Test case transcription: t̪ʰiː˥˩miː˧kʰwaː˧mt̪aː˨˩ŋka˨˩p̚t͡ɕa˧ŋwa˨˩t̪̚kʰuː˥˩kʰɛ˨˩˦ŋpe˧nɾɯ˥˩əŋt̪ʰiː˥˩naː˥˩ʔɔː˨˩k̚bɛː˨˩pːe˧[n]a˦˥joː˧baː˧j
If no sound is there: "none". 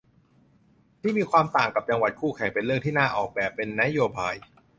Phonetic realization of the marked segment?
nː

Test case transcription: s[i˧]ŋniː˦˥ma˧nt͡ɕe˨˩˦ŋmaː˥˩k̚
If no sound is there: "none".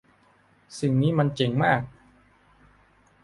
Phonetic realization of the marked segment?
i˨˩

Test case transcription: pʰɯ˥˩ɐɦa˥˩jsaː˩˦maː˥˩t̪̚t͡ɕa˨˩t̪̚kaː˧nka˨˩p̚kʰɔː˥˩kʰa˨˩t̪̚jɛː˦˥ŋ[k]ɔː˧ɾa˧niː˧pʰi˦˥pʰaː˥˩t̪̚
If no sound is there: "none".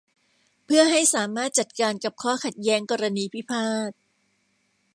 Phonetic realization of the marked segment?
k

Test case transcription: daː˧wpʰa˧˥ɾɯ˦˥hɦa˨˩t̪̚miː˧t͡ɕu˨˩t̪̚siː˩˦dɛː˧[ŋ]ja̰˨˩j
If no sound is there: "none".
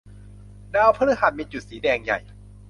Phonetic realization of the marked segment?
ŋ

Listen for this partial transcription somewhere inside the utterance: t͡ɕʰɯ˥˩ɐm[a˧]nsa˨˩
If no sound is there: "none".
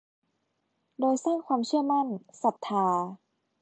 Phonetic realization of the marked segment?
a˥˩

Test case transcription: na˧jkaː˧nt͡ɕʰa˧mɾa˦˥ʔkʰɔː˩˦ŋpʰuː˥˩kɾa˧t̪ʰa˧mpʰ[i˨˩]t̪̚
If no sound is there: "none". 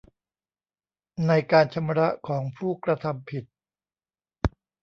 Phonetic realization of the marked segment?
i˨˩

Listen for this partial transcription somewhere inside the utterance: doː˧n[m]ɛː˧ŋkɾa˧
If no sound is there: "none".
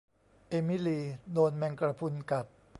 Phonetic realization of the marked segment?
m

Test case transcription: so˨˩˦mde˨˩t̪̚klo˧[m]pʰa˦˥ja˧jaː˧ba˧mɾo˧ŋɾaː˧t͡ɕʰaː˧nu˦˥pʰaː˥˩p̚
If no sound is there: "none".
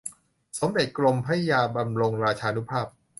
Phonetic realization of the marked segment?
m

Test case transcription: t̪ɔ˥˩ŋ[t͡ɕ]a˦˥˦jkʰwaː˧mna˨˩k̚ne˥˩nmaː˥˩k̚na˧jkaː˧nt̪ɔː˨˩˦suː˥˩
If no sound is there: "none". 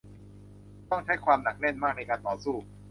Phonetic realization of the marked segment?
t͡ɕʰ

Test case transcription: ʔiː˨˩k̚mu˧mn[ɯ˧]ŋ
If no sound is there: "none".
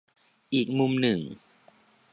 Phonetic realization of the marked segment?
ɯ˨˩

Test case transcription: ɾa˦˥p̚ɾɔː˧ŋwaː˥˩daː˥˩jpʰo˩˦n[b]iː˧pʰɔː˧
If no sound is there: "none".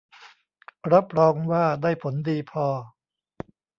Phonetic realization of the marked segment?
d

